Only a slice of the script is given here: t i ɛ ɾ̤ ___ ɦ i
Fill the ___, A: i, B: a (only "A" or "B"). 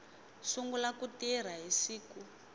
B